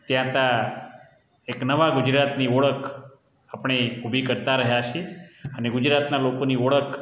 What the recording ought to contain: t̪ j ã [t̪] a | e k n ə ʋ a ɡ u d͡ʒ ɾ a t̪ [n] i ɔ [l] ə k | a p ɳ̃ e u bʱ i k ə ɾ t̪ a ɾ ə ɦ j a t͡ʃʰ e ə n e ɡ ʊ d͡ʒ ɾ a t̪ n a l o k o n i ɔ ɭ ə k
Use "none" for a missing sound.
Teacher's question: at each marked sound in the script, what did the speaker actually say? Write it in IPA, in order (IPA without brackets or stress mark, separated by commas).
t̪, n, ɭ